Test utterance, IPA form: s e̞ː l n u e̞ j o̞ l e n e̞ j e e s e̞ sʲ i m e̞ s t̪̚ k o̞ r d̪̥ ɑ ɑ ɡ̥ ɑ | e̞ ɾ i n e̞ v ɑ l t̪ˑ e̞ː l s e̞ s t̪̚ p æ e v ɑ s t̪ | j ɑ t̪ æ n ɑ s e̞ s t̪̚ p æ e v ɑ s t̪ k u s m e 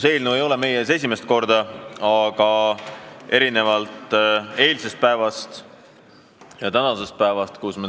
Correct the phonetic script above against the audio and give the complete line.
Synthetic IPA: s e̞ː l n u e̞ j o̞ l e m e̞ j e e s e̞ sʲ i m e̞ s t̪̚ k o̞ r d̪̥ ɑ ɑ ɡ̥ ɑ | e̞ ɾ i n e̞ v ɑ l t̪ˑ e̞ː l s e̞ s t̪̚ p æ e v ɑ s t̪ | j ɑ t̪ æ n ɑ s e̞ s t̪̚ p æ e v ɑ s t̪ k u s m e